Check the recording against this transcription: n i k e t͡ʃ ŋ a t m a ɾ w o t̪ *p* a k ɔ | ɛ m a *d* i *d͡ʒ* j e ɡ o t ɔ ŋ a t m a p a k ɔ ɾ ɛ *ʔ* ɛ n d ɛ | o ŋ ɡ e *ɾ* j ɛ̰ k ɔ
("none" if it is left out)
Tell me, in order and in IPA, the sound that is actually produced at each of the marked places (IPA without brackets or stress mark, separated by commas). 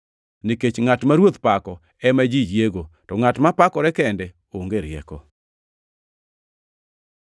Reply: p, d͡ʒ, d͡ʒ, k, ɾ